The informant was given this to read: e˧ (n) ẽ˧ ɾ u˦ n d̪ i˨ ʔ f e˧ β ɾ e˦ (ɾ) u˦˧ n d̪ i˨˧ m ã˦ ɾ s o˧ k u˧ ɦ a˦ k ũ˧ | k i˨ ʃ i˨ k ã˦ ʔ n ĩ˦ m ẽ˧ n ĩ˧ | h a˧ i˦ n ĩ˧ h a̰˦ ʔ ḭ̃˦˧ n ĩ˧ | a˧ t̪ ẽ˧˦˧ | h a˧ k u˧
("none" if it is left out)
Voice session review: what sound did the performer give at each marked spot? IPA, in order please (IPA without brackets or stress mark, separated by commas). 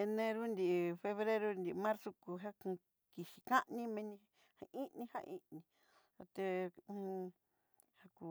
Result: n, ɾ